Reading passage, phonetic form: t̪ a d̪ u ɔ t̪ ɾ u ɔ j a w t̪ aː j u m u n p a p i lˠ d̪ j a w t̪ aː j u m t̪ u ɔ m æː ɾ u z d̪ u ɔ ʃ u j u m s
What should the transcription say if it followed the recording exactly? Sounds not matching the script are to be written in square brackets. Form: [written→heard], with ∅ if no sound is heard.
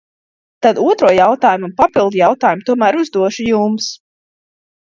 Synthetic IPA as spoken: t̪ a d̪ u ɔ t̪ ɾ u ɔ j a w t̪ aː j u m u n p a p i lˠ d̪ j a w t̪ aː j u m t̪ u ɔ m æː ɾ u z d̪ u ɔ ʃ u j u m s

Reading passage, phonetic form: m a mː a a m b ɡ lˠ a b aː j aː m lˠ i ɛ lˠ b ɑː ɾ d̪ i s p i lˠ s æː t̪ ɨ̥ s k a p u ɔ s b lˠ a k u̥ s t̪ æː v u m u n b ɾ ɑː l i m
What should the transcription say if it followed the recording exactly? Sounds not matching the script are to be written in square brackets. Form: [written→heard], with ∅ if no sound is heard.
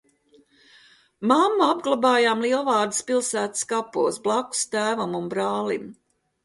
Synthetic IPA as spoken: m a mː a a [m→∅] b ɡ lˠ a b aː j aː m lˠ i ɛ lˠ [b→v] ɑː ɾ d̪ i s p i lˠ s æː t̪ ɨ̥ s k a p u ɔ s b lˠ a k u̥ s t̪ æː v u m u n b ɾ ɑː l i m

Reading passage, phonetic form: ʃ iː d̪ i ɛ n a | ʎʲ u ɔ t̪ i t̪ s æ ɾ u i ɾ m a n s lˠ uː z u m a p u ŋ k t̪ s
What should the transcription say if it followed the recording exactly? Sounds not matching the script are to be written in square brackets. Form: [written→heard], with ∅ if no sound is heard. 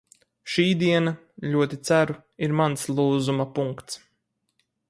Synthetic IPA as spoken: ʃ iː d̪ i ɛ n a | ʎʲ u ɔ t̪ i t̪ s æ ɾ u i ɾ m a n s lˠ uː z u m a p u ŋ k t̪ s

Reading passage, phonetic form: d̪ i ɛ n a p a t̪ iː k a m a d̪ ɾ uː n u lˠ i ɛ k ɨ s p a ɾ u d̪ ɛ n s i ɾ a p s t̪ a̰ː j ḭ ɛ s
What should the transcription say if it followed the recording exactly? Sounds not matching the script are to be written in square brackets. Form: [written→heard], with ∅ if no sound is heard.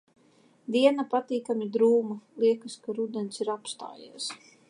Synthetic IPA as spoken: d̪ i ɛ n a p a t̪ iː k a m [a→i] d̪ ɾ uː [n→m] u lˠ i ɛ k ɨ s [p→k] a ɾ u d̪ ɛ n s i ɾ a p s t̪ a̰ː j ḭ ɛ s

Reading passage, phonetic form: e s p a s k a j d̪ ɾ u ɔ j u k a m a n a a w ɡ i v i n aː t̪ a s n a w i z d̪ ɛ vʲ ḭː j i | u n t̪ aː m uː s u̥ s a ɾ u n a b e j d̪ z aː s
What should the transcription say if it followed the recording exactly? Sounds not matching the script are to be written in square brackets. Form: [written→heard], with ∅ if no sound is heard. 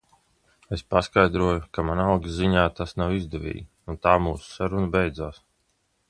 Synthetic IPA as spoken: e s p a s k a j d̪ ɾ u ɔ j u k a m a n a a w ɡ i [v→z] i [n→ɲ] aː t̪ a s n a w i z d̪ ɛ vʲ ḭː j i | u n t̪ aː m uː s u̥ s a ɾ u n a b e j d̪ z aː s

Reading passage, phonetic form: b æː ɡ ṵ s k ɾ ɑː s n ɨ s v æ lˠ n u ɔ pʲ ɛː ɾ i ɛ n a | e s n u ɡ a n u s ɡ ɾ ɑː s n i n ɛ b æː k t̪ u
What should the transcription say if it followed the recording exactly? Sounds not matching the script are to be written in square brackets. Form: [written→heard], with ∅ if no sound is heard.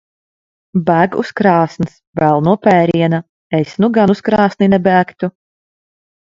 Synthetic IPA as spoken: b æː ɡ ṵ s k ɾ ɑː s n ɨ s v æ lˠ n u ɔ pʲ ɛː ɾ i ɛ n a | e s n u ɡ a n u s [ɡ→k] ɾ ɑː s n i n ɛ b æː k t̪ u

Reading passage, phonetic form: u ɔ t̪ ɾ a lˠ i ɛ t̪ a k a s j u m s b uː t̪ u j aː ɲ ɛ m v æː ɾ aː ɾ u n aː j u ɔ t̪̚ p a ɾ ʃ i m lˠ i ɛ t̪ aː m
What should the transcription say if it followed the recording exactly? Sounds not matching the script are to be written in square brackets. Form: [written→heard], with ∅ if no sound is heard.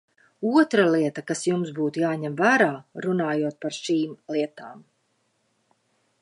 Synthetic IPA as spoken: u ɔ t̪ ɾ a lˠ i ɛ t̪ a k a s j u m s b uː t̪ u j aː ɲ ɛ m v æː ɾ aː ɾ u n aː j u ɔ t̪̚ p a ɾ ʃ [i→iː] m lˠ i ɛ t̪ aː m

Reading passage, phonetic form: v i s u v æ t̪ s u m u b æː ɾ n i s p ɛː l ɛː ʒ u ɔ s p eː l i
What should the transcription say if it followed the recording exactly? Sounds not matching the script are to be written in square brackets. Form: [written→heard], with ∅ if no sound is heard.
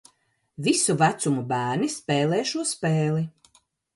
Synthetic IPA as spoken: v i s u v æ t̪ s u m u b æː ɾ n i s p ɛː l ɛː [ʒ→ʃ] u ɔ s p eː l i

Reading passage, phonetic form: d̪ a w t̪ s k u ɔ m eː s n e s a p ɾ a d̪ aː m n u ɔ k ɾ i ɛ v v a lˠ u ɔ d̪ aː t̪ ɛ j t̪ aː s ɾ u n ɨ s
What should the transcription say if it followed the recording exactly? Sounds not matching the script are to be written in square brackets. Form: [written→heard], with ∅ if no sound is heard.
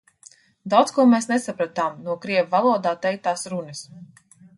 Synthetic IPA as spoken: d̪ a w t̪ s k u ɔ m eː s n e s a p ɾ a [d̪→t̪] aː m n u ɔ k ɾ i ɛ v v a lˠ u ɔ d̪ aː t̪ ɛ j t̪ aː s ɾ u n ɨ s

